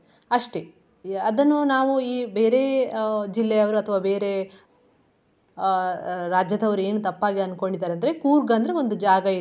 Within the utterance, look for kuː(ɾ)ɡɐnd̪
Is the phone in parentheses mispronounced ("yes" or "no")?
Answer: no